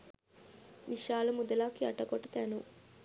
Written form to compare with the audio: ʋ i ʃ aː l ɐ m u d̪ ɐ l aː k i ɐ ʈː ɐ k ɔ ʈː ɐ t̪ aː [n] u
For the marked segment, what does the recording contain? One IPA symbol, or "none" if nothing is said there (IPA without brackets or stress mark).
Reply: n